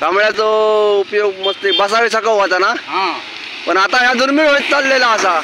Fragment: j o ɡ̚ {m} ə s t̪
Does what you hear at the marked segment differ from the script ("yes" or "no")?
no